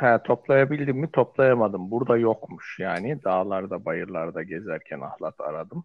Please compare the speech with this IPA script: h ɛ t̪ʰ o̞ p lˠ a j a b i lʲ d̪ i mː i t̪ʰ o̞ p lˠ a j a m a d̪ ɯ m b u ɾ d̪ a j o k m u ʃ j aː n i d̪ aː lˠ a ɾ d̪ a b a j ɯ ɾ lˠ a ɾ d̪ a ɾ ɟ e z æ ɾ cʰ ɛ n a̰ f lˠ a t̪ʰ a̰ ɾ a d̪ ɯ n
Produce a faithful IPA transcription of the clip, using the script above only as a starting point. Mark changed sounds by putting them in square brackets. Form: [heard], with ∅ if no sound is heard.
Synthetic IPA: h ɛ t̪ʰ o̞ p lˠ a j a b i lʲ d̪ i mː i t̪ʰ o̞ p lˠ a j a m a d̪ ɯ m b u ɾ d̪ a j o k m u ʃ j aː n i d̪ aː lˠ a ɾ d̪ a b a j ɯ ɾ lˠ a ɾ d̪ a [∅] ɟ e z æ ɾ cʰ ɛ n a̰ [h] lˠ a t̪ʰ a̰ ɾ a d̪ ɯ [m]